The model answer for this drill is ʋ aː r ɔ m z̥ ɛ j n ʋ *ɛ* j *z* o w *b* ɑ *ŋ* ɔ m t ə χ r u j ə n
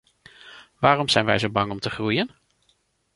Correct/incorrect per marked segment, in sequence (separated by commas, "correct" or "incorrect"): correct, correct, correct, correct